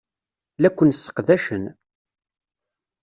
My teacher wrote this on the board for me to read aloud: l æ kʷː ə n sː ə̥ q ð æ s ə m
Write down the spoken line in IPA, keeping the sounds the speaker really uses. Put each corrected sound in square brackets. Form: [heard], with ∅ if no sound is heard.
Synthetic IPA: l æ kʷː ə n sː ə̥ q ð æ [ʃ] ə [n]